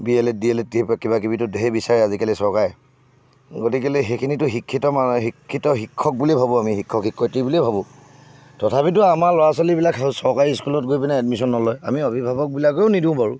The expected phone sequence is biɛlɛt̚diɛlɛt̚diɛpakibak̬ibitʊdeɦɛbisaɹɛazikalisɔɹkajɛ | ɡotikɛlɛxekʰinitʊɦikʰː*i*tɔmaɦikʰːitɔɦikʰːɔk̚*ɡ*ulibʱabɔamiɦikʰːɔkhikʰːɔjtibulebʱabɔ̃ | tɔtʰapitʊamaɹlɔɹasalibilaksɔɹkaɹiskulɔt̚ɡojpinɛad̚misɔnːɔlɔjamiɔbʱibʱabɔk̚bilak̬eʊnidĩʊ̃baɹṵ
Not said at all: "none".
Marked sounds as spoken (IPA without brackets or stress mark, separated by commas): i, b